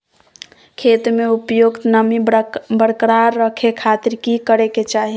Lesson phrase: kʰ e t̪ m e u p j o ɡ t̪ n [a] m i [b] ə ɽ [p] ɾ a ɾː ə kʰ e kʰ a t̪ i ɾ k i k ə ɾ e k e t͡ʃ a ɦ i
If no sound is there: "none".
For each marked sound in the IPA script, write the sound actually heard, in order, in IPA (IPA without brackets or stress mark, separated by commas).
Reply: ə, b, k